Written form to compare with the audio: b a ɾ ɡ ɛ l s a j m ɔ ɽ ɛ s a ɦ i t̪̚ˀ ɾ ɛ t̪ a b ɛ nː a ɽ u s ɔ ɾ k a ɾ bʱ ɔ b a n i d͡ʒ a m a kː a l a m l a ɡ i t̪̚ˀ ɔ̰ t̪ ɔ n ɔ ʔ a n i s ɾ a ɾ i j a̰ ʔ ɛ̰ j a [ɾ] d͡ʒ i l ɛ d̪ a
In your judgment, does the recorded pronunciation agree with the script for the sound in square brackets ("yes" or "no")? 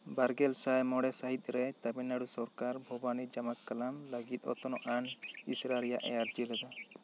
yes